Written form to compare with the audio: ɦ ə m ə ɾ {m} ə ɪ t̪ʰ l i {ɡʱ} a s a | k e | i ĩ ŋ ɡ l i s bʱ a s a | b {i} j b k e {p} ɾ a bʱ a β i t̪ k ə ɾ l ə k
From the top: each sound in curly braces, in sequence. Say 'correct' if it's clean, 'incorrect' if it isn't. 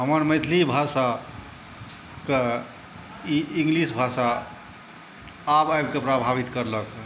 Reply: correct, incorrect: bʱ, incorrect: a, correct

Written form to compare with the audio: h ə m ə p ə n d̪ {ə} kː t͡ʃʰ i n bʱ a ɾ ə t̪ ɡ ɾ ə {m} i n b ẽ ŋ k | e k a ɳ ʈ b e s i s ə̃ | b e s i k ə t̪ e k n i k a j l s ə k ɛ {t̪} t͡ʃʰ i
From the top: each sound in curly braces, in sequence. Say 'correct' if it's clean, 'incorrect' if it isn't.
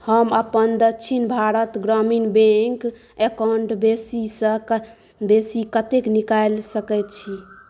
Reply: correct, correct, correct

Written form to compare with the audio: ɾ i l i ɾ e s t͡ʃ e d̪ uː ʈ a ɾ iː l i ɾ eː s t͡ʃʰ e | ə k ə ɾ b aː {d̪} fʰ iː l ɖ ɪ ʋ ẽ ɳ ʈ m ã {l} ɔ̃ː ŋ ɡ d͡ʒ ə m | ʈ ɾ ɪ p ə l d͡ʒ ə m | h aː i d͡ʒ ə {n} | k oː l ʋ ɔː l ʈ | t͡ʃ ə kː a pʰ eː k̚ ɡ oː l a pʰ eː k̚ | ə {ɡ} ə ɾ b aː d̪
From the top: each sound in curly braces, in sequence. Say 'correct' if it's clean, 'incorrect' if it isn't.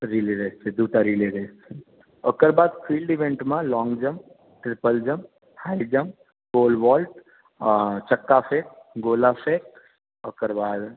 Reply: correct, correct, incorrect: m, incorrect: k

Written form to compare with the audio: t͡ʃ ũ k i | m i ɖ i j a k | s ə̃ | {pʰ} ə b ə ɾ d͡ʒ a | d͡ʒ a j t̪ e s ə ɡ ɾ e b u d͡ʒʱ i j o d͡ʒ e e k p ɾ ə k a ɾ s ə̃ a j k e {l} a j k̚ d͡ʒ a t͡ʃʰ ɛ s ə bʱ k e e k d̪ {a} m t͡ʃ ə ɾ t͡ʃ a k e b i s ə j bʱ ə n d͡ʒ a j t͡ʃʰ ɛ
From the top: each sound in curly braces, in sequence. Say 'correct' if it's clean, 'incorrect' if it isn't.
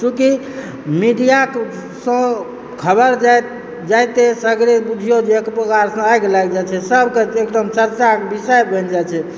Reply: incorrect: kʰ, correct, incorrect: ə

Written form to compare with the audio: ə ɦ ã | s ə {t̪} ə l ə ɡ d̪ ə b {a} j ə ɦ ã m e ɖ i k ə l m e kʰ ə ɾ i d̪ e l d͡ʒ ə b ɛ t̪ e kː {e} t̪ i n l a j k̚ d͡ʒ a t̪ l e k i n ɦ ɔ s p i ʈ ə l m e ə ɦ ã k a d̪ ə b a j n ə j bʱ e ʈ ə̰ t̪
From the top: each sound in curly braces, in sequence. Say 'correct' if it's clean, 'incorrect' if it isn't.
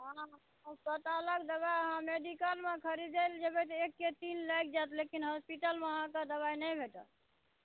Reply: correct, correct, correct

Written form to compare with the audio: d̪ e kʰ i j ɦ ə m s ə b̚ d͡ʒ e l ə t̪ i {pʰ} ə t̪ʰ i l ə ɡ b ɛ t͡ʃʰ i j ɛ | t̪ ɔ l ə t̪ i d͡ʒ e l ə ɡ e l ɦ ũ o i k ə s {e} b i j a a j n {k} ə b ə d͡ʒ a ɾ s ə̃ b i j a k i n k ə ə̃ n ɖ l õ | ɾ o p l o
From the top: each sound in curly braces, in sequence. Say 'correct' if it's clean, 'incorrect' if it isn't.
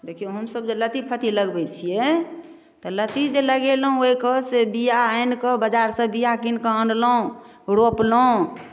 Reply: correct, correct, correct

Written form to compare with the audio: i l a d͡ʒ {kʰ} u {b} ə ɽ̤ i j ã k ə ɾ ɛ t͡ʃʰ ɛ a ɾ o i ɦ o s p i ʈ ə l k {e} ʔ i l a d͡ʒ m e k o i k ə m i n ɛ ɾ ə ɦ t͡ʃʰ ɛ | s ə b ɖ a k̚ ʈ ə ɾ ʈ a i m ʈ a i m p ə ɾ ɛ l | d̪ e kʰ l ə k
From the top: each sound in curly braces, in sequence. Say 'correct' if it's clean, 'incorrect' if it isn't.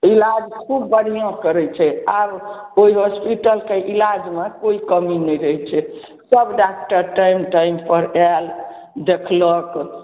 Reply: correct, incorrect: bː, correct

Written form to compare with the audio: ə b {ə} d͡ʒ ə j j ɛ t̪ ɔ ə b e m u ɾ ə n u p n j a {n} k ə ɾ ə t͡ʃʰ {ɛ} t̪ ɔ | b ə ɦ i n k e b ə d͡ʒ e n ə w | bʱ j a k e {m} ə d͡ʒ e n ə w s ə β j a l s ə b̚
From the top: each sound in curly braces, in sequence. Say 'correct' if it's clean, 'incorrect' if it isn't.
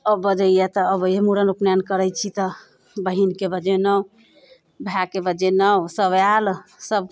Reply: correct, correct, incorrect: i, incorrect: b

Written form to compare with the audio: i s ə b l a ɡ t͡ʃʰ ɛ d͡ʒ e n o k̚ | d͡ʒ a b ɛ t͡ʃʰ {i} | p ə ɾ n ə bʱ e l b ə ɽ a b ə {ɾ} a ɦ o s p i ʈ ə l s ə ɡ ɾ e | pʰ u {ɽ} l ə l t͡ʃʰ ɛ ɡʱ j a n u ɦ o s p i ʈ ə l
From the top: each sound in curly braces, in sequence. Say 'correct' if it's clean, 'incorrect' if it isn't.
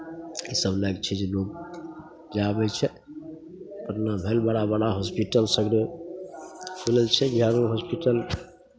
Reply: incorrect: ɛ, incorrect: ɽ, incorrect: none

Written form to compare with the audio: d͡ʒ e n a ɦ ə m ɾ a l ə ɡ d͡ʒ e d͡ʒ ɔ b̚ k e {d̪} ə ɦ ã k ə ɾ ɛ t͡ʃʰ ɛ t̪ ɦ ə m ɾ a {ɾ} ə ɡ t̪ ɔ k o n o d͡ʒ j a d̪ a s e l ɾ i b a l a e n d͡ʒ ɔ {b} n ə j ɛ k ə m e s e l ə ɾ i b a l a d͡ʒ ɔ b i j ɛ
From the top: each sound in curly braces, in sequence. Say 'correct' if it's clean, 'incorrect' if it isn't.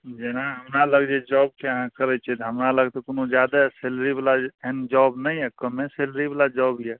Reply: incorrect: none, incorrect: l, correct

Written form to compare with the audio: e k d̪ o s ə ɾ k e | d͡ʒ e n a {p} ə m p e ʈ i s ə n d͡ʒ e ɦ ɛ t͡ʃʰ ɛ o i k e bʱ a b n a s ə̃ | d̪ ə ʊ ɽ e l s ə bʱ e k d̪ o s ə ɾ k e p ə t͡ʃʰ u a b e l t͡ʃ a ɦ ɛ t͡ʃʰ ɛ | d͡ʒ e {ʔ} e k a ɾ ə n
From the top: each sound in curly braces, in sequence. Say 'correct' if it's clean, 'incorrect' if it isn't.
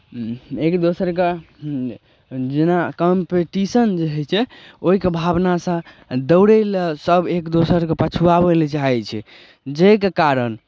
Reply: incorrect: k, incorrect: k

